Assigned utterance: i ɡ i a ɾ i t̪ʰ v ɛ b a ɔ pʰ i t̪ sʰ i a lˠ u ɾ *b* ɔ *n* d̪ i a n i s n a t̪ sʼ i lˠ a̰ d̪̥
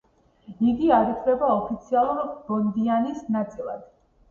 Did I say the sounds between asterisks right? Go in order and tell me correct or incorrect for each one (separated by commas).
correct, correct